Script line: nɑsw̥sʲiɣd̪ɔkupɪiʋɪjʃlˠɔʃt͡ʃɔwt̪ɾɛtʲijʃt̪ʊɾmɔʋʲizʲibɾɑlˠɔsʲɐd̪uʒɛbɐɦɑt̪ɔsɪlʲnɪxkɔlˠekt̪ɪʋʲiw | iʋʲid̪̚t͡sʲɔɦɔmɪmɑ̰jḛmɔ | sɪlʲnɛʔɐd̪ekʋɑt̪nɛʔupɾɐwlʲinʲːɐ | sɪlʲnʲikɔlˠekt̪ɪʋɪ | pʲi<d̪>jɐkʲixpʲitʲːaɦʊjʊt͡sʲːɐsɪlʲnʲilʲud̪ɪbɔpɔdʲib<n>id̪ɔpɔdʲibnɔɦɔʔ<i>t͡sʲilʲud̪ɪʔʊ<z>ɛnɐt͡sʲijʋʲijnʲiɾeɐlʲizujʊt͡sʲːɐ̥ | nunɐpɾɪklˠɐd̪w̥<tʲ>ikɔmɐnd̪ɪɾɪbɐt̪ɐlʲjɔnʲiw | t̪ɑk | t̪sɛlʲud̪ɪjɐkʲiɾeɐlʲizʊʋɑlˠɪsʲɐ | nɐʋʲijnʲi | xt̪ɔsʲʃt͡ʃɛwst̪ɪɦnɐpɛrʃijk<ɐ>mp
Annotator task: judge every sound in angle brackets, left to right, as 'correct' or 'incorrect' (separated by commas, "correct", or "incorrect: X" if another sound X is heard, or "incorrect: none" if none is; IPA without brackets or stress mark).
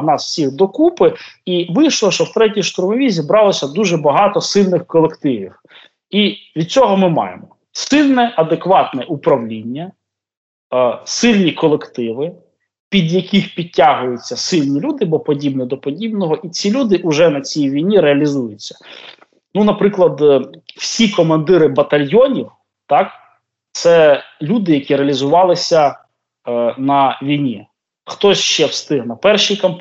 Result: correct, correct, correct, incorrect: ʒ, incorrect: sʲ, correct